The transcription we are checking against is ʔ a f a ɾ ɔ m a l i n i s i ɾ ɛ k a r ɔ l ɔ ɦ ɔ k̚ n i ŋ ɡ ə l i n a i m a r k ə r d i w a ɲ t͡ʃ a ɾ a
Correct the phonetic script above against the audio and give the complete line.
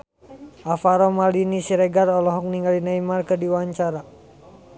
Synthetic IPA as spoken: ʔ a f a ɾ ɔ m a l i n i s i ɾ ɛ ɡ a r ɔ l ɔ ɦ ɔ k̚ n i ŋ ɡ a l i n a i m a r k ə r d i w a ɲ t͡ʃ a ɾ a